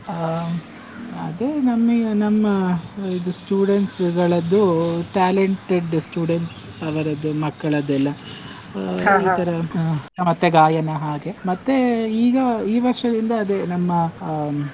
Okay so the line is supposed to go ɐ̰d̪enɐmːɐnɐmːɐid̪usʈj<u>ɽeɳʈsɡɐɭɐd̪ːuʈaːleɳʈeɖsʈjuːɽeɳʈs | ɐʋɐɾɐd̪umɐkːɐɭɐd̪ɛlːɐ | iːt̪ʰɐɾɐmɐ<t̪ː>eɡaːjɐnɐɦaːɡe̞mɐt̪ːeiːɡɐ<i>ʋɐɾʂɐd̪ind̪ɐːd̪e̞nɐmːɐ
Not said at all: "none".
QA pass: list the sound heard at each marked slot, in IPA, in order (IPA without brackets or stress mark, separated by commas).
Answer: uː, t̪ː, iː